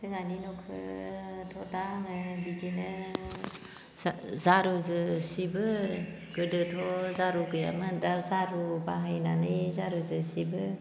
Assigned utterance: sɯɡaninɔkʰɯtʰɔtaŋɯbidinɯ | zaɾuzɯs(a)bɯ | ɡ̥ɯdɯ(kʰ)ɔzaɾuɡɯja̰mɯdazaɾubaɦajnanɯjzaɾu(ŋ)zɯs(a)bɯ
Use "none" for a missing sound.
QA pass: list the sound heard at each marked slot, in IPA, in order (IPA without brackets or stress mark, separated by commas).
i, tʰ, none, i